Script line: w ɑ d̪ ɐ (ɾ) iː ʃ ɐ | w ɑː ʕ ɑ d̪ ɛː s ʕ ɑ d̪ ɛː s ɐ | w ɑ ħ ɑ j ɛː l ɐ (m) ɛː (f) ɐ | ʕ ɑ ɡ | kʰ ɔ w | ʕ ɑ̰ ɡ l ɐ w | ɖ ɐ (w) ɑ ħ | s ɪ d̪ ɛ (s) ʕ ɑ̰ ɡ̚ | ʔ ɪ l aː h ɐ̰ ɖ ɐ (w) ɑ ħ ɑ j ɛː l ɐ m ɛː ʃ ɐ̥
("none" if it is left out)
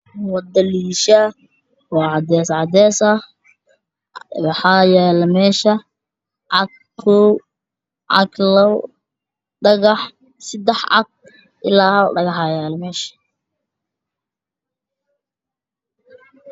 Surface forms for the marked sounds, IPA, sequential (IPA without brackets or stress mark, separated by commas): l, m, ʃ, ɣ, ħ, ɣ